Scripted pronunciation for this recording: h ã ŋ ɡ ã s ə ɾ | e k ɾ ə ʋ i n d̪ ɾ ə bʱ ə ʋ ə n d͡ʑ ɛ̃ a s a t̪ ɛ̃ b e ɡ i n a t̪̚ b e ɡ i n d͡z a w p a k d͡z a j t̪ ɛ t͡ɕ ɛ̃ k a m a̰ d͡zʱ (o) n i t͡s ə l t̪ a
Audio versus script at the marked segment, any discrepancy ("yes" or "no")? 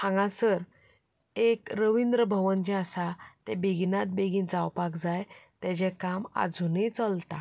yes